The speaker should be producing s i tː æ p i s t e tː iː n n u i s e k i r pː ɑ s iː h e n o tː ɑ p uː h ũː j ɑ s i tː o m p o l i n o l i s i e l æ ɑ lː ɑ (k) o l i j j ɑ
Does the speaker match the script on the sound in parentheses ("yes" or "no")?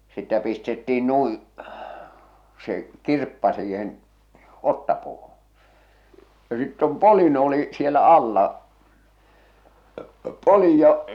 no